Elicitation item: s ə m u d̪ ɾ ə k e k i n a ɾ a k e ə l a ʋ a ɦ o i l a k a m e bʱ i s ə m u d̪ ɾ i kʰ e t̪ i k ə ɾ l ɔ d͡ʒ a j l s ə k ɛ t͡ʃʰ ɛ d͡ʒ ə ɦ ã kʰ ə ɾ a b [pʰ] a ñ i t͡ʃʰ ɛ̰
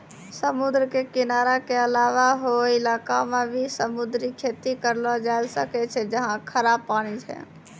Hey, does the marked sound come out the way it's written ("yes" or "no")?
no